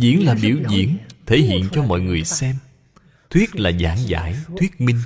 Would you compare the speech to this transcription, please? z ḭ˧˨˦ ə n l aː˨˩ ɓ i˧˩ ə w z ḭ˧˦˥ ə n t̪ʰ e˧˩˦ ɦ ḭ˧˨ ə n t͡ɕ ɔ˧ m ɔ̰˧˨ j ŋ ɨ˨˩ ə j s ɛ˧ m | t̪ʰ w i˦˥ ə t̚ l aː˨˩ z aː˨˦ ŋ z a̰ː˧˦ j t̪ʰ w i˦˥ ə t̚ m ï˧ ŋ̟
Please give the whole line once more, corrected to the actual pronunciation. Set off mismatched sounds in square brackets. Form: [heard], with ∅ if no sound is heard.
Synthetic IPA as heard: z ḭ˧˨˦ ə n l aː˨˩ ɓ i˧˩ ə w z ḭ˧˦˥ ə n t̪ʰ e˧˩˦ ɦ ḭ˧˨ ə n t͡ɕ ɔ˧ m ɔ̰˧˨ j ŋ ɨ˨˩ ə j s ɛ˧ m | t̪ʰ w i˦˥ ə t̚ l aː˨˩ z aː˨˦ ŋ z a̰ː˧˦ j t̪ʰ w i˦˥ ə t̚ m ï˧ ŋ̟